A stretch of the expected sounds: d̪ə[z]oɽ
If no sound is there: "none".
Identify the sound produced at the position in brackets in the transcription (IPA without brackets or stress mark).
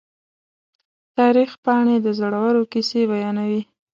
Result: z